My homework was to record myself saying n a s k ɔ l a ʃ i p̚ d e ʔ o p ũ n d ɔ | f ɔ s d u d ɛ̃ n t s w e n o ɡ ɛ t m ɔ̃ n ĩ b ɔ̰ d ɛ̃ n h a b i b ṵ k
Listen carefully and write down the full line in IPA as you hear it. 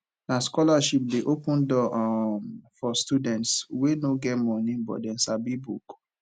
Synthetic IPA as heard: n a s k ɔ l a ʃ i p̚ d e ʔ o p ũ n d ɔ | f ɔ s t u d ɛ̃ n t s w e n o ɡ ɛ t m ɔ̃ n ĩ b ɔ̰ d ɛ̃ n s a b i b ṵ k

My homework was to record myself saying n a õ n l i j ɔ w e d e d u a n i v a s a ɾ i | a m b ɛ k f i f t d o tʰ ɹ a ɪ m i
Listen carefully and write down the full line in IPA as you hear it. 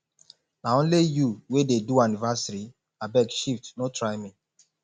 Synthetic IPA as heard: n a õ n l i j u w e d e d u a n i v a s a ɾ i | a b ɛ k ʃ i f t n o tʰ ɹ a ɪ m i

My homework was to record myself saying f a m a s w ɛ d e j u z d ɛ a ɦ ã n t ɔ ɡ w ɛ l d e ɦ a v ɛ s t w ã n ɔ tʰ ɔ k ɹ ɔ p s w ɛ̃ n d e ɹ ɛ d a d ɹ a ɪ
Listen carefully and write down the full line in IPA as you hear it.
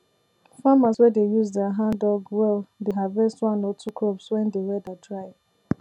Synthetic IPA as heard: f a m a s w ɛ d e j u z d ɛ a ɦ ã n d ɔ ɡ w ɛ l d e ɦ a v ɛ s t w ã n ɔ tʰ u k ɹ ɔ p s w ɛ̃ n d e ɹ ɛ d a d ɹ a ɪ

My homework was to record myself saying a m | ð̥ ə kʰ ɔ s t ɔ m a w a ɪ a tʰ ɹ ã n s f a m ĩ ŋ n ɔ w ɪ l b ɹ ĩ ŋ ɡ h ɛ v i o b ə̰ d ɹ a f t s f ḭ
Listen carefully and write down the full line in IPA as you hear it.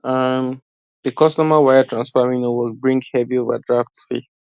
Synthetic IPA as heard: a m | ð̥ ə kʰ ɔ s t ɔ m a w a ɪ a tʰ ɹ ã n s f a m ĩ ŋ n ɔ w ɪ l b ɹ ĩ ŋ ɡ h ɛ v i o v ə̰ d ɹ a f t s f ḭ

